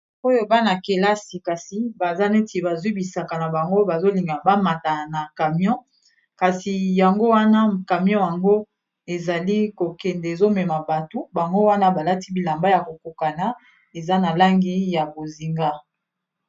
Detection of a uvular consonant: absent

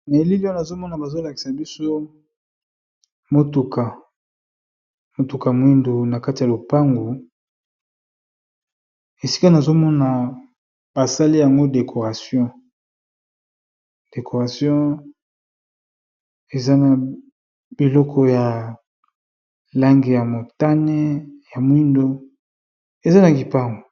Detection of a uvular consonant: present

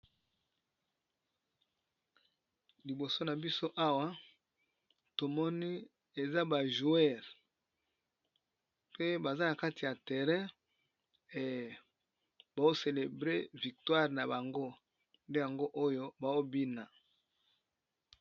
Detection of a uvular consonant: present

